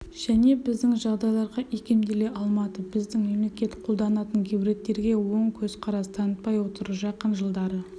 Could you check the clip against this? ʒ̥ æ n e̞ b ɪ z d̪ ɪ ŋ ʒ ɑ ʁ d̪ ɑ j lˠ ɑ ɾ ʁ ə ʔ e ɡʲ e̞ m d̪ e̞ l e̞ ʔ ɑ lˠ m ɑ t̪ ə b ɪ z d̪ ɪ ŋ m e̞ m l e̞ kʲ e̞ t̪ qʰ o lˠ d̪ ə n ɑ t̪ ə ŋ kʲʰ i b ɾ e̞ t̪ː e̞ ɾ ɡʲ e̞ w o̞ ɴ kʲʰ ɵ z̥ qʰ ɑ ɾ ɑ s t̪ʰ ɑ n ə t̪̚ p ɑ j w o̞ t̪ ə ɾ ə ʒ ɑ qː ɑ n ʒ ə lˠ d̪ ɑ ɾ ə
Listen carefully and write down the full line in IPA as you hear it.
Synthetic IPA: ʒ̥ æ n e̞ b ɪ z d̪ ɪ ŋ ʒ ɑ ʁ d̪ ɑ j lˠ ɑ ɾ ʁ ɑ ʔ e kʲ e̞ m d̪ e̞ l e̞ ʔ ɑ lˠ m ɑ t̪ ə b ɪ z d̪ ɪ ŋ m e̞ m l e̞ kʲ e̞ t̪ qʰ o lˠ d̪ ɑ n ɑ t̪ ə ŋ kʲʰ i b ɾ e̞ t̪ː e̞ ɾ ɡʲ e̞ w o̞ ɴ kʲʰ ɵ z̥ qʰ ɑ ɾ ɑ s t̪ʰ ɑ n ə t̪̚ p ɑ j w o̞ t̪ ə ɾ ə ʒ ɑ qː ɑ n ʒ ə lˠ d̪ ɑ ɾ ə